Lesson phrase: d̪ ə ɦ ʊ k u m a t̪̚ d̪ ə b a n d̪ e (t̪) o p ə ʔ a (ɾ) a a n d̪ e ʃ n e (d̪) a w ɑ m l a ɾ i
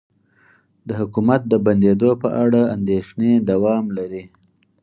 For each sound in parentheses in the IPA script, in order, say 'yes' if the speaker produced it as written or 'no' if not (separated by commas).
no, no, yes